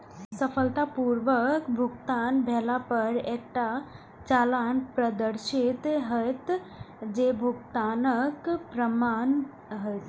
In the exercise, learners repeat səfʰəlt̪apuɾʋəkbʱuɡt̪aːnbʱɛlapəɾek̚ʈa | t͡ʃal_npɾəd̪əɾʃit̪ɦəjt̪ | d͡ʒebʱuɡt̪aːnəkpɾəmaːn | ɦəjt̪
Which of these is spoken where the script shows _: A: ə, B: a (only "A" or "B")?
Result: B